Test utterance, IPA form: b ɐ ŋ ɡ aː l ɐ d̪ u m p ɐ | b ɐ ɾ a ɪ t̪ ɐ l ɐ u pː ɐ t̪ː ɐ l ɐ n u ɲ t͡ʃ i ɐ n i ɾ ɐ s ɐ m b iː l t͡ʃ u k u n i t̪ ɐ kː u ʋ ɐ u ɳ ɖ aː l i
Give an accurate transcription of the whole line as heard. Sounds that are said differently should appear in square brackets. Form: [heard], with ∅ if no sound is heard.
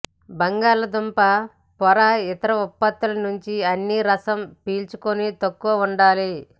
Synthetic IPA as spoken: b ɐ ŋ ɡ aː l ɐ d̪ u m p ɐ | [p] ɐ ɾ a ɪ t̪ ɐ [ɾ] ɐ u pː ɐ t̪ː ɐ l ɐ n u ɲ t͡ʃ i ɐ [nː] i ɾ ɐ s ɐ m [p] iː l t͡ʃ u k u n i t̪ ɐ kː u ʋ ɐ u ɳ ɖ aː l i